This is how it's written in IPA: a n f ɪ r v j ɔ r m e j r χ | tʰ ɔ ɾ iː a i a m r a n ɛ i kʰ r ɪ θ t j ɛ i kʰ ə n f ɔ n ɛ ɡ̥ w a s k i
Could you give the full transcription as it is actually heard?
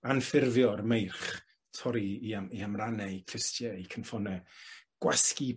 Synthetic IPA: a n f ɪ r v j ɔ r m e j r χ | tʰ ɔ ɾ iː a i a m r a n ɛ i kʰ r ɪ s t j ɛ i kʰ ə n f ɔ n ɛ ɡ̥ w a s k i

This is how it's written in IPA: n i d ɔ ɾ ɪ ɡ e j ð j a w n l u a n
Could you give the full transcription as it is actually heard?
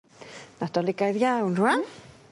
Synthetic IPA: n a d ɔ l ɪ ɡ a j ð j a w n r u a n

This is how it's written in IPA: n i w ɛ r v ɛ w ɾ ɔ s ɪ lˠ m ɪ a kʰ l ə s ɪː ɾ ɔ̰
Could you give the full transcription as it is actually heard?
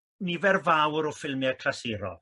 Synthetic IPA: n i v ɛ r v a w ɾ ɔ f ɪ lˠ m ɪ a kʰ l a s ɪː ɾ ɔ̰

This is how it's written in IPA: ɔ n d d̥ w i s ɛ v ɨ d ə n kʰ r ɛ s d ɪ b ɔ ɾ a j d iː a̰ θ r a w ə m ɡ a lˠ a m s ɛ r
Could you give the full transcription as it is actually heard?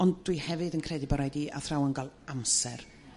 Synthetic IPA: ɔ n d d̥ w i h ɛ v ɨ d ə n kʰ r ɛ d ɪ b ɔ ɾ a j d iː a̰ θ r a w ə n ɡ a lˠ a m s ɛ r

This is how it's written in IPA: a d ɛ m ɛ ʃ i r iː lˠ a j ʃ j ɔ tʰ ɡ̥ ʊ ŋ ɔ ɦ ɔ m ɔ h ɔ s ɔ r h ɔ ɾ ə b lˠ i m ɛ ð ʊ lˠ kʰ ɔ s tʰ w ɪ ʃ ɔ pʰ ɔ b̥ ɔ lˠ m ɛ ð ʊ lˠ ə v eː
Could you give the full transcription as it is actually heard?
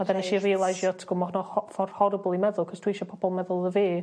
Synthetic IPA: a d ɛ n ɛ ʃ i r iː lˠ a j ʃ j ɔ tʰ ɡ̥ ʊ m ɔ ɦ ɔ n ɔ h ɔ f ɔ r h ɔ ɾ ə b lˠ i m ɛ ð ʊ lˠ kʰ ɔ s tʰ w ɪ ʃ ɔ pʰ ɔ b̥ ɔ lˠ m ɛ ð ʊ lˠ ə v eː

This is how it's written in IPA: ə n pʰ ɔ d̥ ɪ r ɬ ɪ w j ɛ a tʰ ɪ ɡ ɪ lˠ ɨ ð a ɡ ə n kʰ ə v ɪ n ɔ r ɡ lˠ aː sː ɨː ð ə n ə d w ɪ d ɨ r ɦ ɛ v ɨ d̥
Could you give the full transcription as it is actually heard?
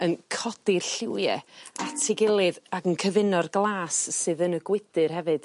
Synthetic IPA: ə n kʰ ɔ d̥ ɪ r ɬ ɪ w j ɛ a tʰ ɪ ɡ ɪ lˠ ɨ ð a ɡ ə n kʰ ə v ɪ n ɔ r ɡ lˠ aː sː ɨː ð ə n ə ɡ w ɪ d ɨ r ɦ ɛ v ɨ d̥

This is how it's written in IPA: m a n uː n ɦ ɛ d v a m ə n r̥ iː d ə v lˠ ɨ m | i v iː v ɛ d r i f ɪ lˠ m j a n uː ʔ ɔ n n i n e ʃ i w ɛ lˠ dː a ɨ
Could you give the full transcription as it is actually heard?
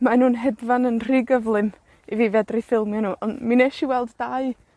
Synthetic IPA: m a n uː n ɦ ɛ d v a n ə n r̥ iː ɡ ə v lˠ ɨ m | i v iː v ɛ d r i f ɪ lˠ m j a n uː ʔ ɔ n m i n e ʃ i w ɛ lˠ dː a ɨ

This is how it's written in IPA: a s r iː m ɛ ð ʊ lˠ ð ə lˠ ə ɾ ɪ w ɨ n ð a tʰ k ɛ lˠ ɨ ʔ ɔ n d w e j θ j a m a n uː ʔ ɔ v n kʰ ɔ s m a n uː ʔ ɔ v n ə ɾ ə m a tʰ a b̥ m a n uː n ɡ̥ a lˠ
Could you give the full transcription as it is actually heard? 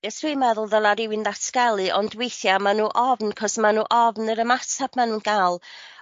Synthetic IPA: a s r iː m ɛ ð ʊ lˠ ð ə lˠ a ɾ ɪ w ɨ n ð a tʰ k ɛ lˠ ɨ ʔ ɔ n d w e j θ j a m a n uː ʔ ɔ v n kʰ ɔ s m a n uː ʔ ɔ v n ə ɾ ə m a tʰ a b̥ m a n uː n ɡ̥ a lˠ

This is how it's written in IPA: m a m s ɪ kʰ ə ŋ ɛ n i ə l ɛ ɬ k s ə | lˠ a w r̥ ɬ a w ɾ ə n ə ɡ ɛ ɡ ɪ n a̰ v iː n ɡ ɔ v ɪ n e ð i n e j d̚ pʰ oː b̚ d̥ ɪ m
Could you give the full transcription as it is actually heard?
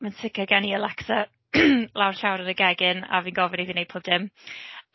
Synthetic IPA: m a n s ɪ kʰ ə ɡ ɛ n i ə l ɛ k s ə | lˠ a w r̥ ɬ a w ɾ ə n ə ɡ ɛ ɡ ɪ n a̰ v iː n ɡ ɔ v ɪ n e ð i n e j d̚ pʰ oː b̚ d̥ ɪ m

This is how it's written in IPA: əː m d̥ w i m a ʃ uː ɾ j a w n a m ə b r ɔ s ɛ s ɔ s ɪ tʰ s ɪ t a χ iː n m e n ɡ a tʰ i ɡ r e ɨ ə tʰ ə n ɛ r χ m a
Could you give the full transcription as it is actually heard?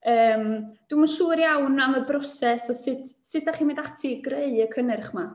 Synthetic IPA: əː m d̥ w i m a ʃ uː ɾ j a w n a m ə b r ɔ s ɛ s ɔ s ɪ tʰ s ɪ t a χ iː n m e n d a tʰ i ɡ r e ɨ ə kʰ ə n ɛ r χ m a

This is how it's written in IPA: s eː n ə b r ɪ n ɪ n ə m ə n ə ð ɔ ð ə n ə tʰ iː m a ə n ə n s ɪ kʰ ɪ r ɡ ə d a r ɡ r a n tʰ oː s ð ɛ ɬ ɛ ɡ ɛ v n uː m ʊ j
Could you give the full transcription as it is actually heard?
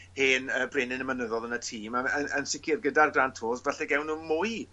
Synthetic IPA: h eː n ə b r ɪ n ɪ n ə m ə n ə ð ɔ ð ə n ə tʰ iː m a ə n ə n s ɪ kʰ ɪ r ɡ ə d a r ɡ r a n tʰ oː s v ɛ ɬ ɛ ɡ ɛ w n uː m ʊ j

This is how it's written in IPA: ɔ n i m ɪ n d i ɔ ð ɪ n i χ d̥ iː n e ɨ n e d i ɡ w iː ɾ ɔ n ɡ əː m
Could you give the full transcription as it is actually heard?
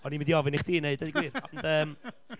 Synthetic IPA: ɔ n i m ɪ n d i ɔ v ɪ n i χ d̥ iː n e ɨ d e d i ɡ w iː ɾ ɔ n d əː m

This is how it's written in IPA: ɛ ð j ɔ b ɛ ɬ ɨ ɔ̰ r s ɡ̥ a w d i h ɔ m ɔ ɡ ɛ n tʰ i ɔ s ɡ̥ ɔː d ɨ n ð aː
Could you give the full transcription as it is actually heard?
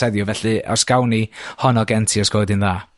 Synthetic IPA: ɛ ð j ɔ v ɛ ɬ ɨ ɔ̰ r s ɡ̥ a w n i h ɔ n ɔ ɡ ɛ n tʰ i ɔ s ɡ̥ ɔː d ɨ n ð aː

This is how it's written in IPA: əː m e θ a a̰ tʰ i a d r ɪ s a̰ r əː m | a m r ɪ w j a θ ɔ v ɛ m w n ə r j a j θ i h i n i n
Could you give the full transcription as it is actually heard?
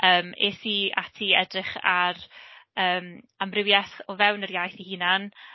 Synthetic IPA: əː m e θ i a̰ tʰ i ɛ d r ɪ χ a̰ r əː m | a m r ɪ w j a θ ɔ v ɛ w n ə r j a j θ i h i n a n

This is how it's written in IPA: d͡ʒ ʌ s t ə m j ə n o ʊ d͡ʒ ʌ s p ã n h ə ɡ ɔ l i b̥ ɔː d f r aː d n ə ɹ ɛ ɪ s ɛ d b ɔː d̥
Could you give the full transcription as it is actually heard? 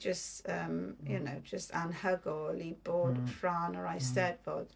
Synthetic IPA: d͡ʒ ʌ s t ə m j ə n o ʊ d͡ʒ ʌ s t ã n h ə ɡ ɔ l i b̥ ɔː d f ɹ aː n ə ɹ a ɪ s ɛ d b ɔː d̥

